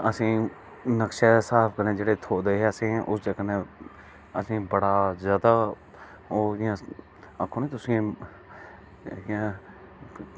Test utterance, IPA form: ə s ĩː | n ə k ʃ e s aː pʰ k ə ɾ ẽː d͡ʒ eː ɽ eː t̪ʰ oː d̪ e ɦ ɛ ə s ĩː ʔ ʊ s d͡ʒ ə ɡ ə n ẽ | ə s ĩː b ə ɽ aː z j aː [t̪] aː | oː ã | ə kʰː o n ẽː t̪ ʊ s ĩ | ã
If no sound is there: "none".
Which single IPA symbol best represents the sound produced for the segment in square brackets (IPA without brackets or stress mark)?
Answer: d̪